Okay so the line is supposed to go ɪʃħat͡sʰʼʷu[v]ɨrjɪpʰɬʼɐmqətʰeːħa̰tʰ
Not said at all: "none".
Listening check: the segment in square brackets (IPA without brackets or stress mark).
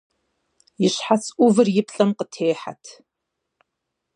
v